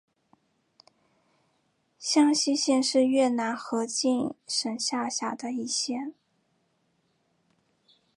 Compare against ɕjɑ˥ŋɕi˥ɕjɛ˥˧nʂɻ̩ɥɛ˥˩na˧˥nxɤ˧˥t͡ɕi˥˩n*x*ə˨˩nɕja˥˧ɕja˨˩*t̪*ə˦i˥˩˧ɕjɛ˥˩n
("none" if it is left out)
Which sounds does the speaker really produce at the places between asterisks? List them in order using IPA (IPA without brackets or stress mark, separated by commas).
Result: ʂ, d̪